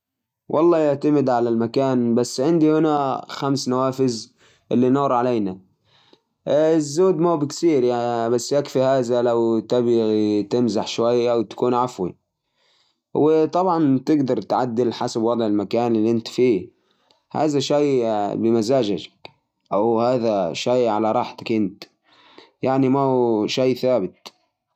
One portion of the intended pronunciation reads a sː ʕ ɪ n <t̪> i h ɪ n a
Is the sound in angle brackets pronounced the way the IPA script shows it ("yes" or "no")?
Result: no